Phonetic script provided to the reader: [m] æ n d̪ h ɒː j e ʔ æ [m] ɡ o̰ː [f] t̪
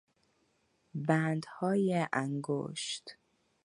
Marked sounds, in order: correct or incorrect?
incorrect, incorrect, incorrect

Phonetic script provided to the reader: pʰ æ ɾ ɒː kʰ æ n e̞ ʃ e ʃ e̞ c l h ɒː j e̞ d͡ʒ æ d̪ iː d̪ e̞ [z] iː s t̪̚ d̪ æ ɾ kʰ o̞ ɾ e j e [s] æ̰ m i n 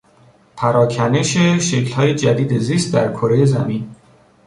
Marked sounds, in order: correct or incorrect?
correct, incorrect

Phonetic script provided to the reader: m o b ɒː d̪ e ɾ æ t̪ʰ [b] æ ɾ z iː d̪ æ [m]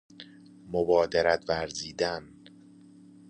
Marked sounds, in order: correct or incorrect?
incorrect, incorrect

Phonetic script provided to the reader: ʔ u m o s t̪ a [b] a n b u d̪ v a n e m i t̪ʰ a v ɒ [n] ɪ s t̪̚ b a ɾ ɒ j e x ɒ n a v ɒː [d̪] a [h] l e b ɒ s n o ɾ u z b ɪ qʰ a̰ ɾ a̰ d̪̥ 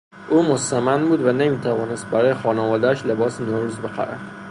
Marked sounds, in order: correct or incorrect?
incorrect, correct, correct, incorrect

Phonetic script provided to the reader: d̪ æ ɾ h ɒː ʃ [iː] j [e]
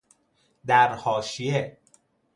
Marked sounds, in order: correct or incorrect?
incorrect, correct

